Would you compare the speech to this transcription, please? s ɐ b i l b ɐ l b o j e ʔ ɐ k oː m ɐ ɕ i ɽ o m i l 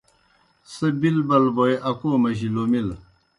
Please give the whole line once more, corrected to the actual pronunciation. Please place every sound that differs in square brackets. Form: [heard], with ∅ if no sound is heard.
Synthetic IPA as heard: s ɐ b i l b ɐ l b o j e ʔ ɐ k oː m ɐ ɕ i [l] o m i l